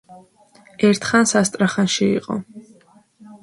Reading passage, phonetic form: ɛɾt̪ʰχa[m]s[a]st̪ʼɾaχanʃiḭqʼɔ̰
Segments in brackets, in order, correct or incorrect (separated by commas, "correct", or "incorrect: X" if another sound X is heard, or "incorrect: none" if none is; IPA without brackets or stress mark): incorrect: n, correct